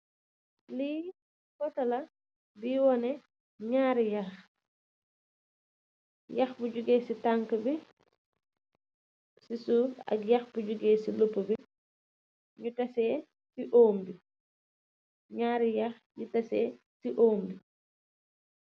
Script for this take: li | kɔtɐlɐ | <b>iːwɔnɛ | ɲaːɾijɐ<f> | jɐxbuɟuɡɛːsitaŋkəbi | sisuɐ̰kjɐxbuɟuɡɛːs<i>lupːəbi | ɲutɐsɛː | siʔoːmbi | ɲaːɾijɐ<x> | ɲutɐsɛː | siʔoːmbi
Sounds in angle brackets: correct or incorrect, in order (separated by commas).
correct, incorrect, correct, correct